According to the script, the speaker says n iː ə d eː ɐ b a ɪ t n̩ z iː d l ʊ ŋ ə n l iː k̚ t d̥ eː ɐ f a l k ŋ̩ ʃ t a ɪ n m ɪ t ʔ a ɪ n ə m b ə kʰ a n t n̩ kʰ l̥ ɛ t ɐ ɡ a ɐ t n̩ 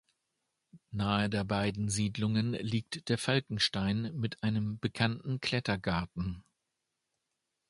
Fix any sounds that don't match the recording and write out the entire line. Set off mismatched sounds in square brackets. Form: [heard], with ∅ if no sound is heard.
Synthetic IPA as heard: n [aː] ə d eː ɐ b a ɪ [d] n̩ z iː d l ʊ ŋ ə n l iː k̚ t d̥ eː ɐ f a l k ŋ̩ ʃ t a ɪ n m ɪ t ʔ a ɪ n ə m b ə kʰ a n t n̩ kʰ l̥ ɛ t ɐ ɡ a ɐ t n̩